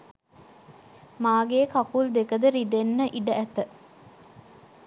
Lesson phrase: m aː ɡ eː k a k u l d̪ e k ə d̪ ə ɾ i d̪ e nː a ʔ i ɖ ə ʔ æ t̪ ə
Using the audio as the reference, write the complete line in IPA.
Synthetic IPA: m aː ɡ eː k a k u l d̪ e k ə d̪ ə ɾ i d̪ e nː ə ʔ i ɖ ə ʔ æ t̪ ə